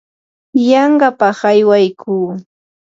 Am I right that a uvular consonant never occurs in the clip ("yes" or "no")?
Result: no